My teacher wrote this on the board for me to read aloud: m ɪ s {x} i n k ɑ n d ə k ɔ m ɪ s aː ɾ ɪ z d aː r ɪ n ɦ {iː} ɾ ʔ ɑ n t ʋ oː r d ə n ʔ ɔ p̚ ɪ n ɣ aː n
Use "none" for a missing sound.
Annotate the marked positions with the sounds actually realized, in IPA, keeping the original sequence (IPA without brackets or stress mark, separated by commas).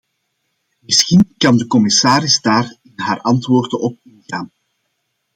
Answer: x, aː